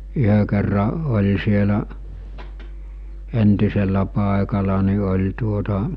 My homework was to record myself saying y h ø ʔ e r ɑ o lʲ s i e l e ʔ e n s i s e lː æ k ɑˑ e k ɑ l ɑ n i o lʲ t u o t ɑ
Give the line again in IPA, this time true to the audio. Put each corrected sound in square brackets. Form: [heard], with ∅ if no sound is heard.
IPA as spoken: y h ø [k] e [rː] ɑ o lʲ s i e l [æ] ʔ e n [t] i s e lː æ [p] ɑˑ e k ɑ l ɑ n i o lʲ t u o t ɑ